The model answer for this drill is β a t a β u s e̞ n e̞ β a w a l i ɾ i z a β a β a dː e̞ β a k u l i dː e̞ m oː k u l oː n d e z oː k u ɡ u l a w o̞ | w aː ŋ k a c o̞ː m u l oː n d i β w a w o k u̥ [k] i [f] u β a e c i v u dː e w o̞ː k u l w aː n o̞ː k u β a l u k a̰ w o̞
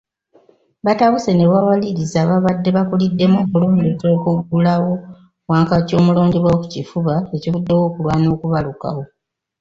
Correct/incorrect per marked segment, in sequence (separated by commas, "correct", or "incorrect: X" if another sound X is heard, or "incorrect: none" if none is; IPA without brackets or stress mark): incorrect: c, correct